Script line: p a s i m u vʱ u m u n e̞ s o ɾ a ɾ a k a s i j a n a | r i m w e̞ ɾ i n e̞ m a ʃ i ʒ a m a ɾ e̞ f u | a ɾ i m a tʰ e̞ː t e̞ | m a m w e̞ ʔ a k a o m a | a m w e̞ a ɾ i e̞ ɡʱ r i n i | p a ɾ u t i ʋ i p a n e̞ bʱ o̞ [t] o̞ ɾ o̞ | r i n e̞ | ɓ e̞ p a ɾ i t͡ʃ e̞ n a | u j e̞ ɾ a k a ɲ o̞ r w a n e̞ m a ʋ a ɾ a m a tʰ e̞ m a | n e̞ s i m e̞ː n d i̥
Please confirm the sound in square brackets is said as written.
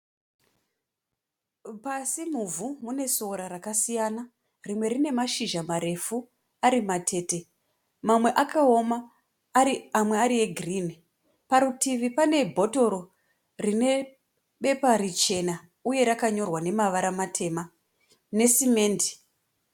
yes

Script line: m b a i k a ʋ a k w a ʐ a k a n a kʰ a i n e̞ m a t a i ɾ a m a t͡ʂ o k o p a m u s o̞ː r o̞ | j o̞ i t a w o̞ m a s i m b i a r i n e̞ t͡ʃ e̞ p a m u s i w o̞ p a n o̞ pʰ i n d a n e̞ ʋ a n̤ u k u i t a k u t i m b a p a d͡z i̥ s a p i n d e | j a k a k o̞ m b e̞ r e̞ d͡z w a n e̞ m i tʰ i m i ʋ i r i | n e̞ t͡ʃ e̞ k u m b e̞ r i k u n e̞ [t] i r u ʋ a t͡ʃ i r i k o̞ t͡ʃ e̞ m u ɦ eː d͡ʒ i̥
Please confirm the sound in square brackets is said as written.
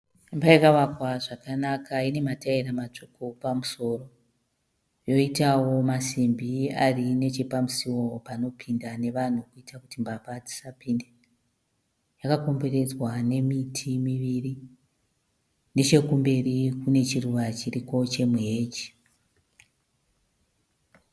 no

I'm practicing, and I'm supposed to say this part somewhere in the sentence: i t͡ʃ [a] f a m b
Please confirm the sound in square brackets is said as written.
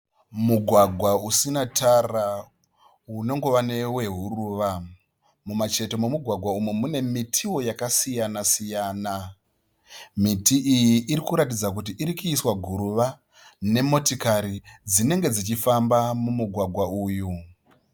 no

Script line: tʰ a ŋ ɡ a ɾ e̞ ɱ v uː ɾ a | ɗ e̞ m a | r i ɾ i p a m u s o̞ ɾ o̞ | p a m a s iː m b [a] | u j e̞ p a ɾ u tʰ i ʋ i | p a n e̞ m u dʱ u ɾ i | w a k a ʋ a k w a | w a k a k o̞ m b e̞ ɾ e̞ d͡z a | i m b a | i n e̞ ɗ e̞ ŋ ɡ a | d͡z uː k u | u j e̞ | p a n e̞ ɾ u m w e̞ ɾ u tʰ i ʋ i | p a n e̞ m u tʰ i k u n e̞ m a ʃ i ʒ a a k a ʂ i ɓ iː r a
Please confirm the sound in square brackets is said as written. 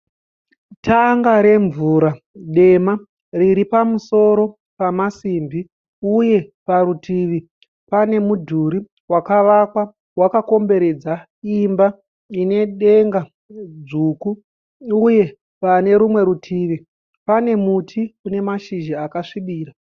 no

